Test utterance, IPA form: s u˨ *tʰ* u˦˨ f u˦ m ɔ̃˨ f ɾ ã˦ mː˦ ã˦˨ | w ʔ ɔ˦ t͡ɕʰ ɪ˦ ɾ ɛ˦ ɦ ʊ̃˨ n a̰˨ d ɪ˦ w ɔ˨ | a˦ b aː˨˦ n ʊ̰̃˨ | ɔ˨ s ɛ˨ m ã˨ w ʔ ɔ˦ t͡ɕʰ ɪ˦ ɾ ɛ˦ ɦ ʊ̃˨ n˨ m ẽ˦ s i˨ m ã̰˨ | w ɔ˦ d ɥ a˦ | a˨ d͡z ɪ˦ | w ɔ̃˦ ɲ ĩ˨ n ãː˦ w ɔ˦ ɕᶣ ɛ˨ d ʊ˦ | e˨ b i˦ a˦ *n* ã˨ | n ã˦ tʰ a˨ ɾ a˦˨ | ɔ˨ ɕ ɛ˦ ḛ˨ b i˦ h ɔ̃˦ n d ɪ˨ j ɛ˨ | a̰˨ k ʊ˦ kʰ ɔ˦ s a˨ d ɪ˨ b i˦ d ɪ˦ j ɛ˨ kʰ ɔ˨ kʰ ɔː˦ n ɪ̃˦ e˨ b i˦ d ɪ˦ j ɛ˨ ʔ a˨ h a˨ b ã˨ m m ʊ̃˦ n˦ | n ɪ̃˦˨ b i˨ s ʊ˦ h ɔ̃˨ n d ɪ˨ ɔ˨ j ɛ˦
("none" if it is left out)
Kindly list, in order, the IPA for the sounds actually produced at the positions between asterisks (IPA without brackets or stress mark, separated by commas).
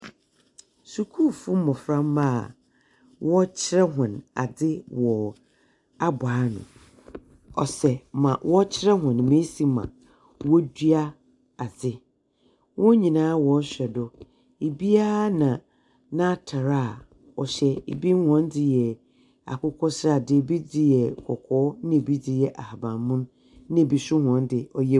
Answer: kʰ, n